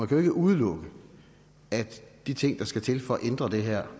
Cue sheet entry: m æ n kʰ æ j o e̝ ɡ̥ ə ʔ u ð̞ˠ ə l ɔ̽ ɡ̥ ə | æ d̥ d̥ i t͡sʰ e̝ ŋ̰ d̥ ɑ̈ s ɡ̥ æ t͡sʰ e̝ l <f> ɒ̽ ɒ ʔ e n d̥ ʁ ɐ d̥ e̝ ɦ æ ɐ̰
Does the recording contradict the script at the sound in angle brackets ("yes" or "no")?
no